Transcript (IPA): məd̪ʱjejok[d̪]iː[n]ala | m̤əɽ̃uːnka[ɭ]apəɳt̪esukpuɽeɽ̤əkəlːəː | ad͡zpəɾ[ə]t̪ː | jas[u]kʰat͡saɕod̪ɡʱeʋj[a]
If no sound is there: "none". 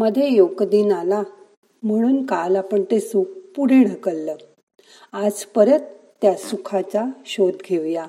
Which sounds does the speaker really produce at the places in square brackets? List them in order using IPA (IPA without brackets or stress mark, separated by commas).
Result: d̪, n, l, ə, u, a